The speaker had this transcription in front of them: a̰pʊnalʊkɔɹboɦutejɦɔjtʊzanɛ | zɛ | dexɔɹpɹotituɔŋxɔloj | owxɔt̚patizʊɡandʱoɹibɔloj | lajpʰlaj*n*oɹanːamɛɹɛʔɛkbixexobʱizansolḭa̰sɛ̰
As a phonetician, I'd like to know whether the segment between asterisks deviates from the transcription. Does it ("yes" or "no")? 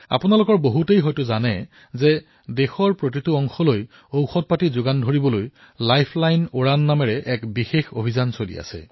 no